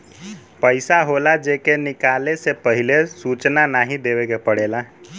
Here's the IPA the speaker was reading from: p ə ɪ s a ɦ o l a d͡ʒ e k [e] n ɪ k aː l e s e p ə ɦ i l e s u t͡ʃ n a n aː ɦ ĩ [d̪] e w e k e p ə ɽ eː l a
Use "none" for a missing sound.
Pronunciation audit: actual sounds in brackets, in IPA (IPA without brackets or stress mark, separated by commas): e, d̪